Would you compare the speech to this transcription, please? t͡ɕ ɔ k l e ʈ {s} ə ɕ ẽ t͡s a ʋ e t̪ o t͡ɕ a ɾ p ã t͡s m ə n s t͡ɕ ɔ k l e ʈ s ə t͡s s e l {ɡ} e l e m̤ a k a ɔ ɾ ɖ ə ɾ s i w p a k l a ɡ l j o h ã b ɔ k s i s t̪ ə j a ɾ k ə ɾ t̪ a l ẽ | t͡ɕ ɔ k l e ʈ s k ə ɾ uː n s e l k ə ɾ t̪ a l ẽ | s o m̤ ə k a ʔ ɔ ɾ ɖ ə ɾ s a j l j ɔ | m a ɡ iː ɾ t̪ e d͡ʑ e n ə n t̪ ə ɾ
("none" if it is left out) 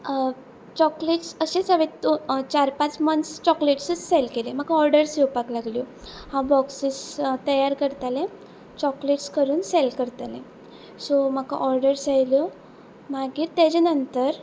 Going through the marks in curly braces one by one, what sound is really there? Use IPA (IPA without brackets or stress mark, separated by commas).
s, k